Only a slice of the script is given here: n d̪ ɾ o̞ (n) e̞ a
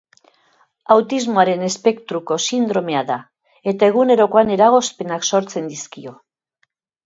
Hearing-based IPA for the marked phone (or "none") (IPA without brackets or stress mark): m